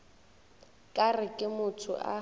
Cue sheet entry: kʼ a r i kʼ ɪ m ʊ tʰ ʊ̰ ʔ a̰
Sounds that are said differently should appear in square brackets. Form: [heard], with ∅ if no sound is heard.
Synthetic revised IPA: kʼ a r [ɪ] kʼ ɪ m ʊ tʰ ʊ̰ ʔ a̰